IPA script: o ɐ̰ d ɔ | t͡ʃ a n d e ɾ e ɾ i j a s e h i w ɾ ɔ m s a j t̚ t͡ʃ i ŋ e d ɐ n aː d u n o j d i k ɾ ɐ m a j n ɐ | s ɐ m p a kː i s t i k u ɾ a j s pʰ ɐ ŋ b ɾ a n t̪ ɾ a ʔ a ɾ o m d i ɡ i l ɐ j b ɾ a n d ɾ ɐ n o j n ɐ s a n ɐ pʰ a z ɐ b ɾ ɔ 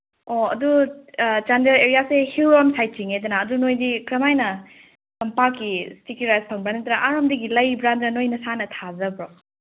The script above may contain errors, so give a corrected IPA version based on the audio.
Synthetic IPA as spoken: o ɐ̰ d u | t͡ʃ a n d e ɾ e ɾ i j a s e h i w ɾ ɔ m s a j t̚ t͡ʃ i ŋ e d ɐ n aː d u n o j d i k ɾ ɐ m a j n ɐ | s ɐ m p a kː i s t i k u ɾ a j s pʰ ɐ ŋ b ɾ a n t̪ ɾ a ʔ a ɾ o m d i ɡ i l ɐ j b ɾ a n d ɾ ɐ n o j n ɐ s a n ɐ tʰ a z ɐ b ɾ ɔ